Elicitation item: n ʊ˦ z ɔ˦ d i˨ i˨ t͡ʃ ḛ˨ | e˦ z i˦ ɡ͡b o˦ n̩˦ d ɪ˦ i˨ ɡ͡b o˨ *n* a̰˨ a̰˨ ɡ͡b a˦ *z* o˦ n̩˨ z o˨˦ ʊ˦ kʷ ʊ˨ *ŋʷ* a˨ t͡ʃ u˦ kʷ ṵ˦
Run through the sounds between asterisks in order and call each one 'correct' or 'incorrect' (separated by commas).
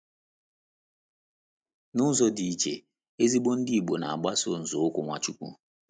correct, incorrect, correct